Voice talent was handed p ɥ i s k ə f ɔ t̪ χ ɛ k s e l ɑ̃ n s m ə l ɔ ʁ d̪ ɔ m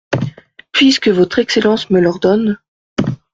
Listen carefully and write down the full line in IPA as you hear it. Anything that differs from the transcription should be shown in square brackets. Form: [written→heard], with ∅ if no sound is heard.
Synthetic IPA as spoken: p ɥ i s k ə [f→v] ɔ t̪ χ ɛ k s e l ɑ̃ [n→∅] s m ə l ɔ ʁ d̪ ɔ [m→n]